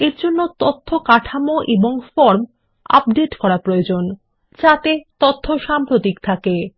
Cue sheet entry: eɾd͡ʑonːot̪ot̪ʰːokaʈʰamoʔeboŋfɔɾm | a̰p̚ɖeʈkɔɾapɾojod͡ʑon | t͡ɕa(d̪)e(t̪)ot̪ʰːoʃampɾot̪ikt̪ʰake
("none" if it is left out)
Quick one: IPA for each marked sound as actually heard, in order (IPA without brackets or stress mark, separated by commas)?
t̪, t̪